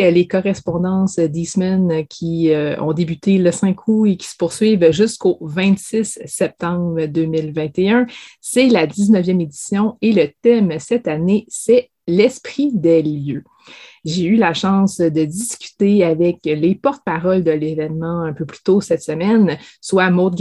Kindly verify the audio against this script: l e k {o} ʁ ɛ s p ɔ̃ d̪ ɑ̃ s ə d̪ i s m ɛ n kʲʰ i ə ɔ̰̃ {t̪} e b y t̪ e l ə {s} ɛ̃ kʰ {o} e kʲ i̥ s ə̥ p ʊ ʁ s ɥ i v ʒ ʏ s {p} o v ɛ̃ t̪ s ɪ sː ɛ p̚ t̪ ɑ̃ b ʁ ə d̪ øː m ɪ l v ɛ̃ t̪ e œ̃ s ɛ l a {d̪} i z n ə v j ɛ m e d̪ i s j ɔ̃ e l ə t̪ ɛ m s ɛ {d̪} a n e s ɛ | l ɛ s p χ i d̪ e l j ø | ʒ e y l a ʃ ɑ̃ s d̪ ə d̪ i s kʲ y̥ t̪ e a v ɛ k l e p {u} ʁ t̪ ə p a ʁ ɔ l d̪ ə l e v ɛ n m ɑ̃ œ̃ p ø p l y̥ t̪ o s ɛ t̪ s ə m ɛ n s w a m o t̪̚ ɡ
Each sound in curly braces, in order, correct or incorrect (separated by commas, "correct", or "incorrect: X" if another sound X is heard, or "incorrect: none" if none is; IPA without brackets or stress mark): incorrect: ɔ, incorrect: d̪, correct, incorrect: u, incorrect: k, correct, incorrect: t̪, incorrect: ɔ